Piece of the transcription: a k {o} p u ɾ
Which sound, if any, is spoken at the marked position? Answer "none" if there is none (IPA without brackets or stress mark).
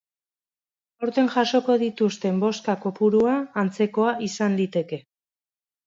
o